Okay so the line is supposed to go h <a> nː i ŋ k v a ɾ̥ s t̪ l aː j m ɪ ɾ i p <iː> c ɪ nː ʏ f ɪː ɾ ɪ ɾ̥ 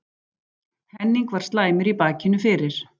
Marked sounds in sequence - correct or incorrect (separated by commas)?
incorrect, incorrect